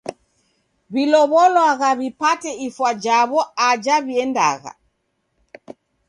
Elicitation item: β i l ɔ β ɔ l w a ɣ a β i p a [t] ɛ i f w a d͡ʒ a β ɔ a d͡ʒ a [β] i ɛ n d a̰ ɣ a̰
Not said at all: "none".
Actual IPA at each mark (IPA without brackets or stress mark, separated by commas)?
t, β